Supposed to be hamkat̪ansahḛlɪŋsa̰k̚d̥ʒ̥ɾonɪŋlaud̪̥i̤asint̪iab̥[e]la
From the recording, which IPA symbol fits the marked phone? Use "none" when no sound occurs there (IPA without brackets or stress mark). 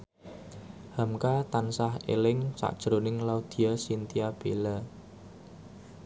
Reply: e